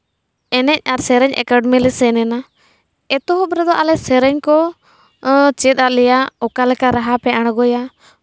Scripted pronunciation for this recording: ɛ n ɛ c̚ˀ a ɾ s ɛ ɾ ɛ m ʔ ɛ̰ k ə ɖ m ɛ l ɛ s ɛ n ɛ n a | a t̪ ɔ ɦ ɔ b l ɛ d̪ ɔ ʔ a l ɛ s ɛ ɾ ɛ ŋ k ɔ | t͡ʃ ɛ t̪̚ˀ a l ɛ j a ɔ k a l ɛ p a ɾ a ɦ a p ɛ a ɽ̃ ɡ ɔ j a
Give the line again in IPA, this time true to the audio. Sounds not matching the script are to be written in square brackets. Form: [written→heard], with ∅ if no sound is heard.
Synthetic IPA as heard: ɛ n ɛ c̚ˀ a ɾ s ɛ ɾ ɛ [m→ɲ] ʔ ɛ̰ k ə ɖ m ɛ l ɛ s ɛ n ɛ n a | [a→ɛ] t̪ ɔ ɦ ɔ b [l→ɾ] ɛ d̪ ɔ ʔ a l ɛ s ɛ ɾ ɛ [ŋ→ɲ] k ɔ | t͡ʃ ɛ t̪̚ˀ a l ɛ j a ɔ k a l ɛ [p→k] a ɾ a ɦ a p ɛ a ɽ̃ ɡ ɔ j a

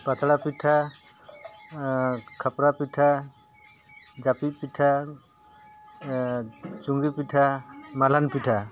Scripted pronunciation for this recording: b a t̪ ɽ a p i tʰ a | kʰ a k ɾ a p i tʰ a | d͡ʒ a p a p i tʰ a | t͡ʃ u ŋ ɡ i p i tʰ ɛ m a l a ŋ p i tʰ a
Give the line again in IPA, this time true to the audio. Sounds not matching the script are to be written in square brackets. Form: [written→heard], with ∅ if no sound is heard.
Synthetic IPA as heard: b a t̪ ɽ a p i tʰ a | kʰ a [k→p] ɾ a p i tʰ a | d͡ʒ a p [a→i] p i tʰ a | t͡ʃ u ŋ ɡ i p i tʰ [ɛ→a] m a l a [ŋ→n] p i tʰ a

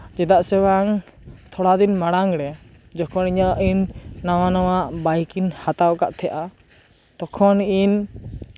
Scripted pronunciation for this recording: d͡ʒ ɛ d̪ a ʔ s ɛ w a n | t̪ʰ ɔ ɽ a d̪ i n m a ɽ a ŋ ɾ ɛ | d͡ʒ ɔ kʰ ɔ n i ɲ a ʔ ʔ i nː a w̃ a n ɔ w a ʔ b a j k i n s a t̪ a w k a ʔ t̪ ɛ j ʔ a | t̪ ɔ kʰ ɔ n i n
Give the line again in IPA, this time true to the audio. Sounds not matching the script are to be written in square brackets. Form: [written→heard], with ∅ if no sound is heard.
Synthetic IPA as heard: d͡ʒ ɛ d̪ a ʔ s ɛ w a [n→ŋ] | t̪ʰ ɔ ɽ a d̪ i n m a ɽ a ŋ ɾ ɛ | d͡ʒ ɔ kʰ ɔ n i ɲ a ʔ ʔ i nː a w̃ a n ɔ w a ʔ b a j k i n [s→h] a t̪ a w k a ʔ [t̪→t̪ʰ] ɛ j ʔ a | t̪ ɔ kʰ ɔ n i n

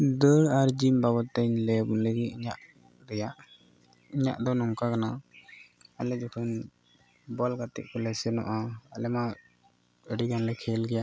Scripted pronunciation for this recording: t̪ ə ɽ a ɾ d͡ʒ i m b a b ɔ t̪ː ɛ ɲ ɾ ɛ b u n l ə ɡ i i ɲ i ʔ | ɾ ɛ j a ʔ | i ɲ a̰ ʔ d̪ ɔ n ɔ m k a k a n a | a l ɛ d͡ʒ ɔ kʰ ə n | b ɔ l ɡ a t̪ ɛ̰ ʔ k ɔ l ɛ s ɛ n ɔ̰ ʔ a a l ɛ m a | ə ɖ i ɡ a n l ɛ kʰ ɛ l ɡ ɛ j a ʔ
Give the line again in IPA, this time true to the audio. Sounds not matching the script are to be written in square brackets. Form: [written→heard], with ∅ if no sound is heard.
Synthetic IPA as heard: [t̪→d̪] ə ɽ a ɾ d͡ʒ i m b a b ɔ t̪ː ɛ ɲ [ɾ→l] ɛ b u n l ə ɡ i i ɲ [i→a] ʔ | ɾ ɛ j a ʔ | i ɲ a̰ ʔ d̪ ɔ n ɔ m k a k a n a | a l ɛ d͡ʒ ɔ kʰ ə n | b ɔ l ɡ a t̪ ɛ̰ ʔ k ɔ l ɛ s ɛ n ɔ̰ ʔ a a l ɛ m a | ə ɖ i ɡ a n l ɛ kʰ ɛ l ɡ ɛ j a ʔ

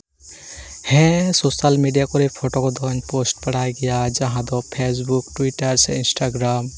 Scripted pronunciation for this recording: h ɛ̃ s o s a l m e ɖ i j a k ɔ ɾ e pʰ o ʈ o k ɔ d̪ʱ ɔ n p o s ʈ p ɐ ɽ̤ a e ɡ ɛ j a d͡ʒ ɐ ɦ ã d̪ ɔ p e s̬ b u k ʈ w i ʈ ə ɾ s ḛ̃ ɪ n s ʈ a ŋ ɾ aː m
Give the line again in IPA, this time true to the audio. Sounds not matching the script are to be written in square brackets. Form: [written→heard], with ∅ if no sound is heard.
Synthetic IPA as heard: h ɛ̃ s o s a l m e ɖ i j a k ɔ ɾ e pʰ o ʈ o k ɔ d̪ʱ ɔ n p o s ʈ p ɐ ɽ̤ a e ɡ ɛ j a d͡ʒ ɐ ɦ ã d̪ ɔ [p→pʰ] e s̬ b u k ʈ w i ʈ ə ɾ s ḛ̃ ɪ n s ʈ a [ŋ→ɡ] ɾ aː m

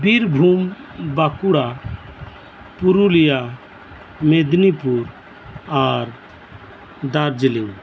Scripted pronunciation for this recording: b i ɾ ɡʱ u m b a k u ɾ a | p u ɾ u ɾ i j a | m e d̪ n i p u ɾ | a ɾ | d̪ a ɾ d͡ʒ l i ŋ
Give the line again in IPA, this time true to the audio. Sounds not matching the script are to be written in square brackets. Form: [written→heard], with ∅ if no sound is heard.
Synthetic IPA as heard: b i ɾ [ɡʱ→bʱ] u m b a k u [ɾ→ɽ] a | p u ɾ u [ɾ→l] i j a | m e d̪ n i p u ɾ | a ɾ | d̪ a ɾ d͡ʒ l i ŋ

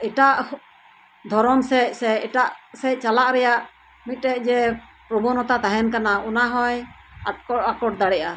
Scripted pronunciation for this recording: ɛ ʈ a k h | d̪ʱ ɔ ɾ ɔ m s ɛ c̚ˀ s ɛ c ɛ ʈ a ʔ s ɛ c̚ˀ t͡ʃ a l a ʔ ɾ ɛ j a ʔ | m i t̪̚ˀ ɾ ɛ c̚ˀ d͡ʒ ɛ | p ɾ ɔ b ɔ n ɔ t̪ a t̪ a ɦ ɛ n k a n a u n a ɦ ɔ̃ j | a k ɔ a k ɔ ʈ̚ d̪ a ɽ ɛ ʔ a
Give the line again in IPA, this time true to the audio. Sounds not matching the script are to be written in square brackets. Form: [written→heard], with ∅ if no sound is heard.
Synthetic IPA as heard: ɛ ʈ a [k→ʔ] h | d̪ʱ ɔ ɾ ɔ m s ɛ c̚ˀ s ɛ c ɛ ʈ a ʔ s ɛ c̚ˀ t͡ʃ a l a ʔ ɾ ɛ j a ʔ | m i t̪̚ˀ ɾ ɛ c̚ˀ d͡ʒ ɛ | p ɾ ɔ b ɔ n ɔ t̪ a t̪ a ɦ ɛ n k a n a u n a ɦ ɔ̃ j | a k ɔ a k ɔ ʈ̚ d̪ a ɽ ɛ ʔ a

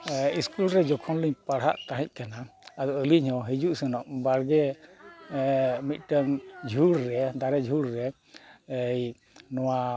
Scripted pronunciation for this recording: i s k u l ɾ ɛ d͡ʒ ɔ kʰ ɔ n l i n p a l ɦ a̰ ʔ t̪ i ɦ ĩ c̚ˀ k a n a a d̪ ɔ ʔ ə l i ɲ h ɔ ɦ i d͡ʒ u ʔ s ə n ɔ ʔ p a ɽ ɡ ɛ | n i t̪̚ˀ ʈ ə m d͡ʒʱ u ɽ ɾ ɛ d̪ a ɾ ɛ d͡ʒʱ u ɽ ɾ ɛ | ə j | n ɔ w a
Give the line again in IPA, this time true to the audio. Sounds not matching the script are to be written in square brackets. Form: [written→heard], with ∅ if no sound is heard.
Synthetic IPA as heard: i s k u l ɾ ɛ d͡ʒ ɔ kʰ ɔ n l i [n→ɲ] p a [l→ɽ] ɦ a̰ ʔ t̪ [i→a] ɦ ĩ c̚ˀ k a n a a d̪ ɔ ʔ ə l i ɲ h ɔ ɦ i d͡ʒ u ʔ s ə n ɔ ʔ [p→b] a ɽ ɡ ɛ | [n→m] i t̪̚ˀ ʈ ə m d͡ʒʱ u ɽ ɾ ɛ d̪ a ɾ ɛ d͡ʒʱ u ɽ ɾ ɛ | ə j | n ɔ w a

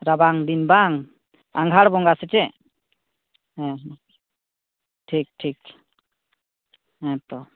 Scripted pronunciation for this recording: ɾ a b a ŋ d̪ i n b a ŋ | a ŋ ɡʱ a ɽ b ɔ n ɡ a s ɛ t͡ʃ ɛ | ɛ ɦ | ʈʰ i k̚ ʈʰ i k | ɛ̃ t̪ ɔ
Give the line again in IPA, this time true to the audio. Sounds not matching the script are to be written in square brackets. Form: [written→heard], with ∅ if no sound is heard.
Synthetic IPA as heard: ɾ a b a ŋ d̪ i n b a ŋ | a ŋ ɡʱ a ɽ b ɔ [n→ŋ] ɡ a s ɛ t͡ʃ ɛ | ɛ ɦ | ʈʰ i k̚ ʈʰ i k | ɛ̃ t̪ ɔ

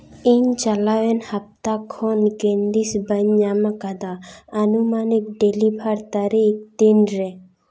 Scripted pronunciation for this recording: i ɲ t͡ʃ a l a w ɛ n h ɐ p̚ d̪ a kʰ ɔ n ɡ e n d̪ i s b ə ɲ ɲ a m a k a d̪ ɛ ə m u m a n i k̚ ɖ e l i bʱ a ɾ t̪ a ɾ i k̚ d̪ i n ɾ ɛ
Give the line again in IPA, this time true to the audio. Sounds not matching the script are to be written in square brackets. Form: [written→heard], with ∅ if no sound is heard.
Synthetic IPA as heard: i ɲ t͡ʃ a l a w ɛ n h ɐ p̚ [d̪→t̪] a kʰ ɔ n ɡ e n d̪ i s b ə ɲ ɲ a m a k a d̪ [ɛ→a] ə [m→n] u m a n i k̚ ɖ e l i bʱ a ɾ t̪ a ɾ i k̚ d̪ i n ɾ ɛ

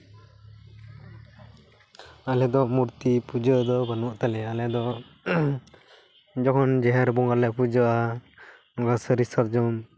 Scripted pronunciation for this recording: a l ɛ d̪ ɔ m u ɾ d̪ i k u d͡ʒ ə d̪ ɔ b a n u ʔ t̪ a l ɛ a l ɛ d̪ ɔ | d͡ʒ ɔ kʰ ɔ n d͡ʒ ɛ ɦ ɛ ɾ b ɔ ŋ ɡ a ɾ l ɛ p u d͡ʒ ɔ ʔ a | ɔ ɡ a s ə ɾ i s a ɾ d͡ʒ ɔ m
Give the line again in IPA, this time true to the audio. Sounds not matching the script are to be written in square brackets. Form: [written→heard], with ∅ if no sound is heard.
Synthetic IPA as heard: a l ɛ d̪ ɔ m u ɾ [d̪→t̪] i [k→p] u d͡ʒ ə d̪ ɔ b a n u ʔ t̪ a l ɛ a l ɛ d̪ ɔ | d͡ʒ ɔ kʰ ɔ n d͡ʒ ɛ ɦ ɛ ɾ b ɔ ŋ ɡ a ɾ l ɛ p u d͡ʒ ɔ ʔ a | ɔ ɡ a s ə ɾ i s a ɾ d͡ʒ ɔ m

